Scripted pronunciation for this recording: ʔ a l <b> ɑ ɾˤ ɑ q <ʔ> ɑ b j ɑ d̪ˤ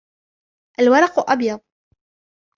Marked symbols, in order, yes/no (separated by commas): no, yes